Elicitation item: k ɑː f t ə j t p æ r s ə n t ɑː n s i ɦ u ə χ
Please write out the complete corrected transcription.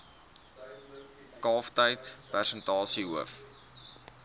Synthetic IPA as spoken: k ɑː f t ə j t p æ r s ə n t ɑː s i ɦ u ə f